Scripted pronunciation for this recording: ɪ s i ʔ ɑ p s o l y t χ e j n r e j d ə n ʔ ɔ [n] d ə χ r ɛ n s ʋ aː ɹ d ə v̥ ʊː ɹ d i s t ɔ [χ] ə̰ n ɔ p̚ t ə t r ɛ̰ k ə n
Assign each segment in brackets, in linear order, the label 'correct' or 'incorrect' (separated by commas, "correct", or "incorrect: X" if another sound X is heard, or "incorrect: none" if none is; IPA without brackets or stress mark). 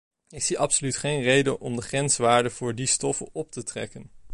incorrect: m, incorrect: f